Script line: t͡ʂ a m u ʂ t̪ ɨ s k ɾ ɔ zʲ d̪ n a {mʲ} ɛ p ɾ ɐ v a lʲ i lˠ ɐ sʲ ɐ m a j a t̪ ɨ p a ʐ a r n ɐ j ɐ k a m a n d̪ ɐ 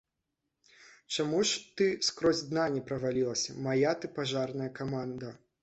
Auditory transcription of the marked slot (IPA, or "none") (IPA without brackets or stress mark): nʲ